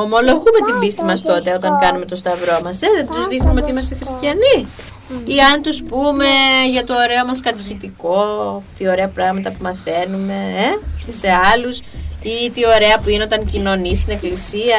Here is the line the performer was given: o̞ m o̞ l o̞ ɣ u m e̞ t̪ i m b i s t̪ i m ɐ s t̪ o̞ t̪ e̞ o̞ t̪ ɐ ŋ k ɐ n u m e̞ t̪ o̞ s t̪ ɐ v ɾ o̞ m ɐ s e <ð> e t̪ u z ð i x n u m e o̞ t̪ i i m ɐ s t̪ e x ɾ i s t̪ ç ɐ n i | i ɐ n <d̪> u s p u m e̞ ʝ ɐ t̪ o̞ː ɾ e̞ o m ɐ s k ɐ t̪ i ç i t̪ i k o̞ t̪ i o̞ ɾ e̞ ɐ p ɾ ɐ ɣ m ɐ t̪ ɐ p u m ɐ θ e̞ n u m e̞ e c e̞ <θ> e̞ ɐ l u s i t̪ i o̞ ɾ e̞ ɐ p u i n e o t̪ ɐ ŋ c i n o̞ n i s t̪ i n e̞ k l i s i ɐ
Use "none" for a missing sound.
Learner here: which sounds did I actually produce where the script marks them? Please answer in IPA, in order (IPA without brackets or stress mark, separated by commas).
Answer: ð, t̪, s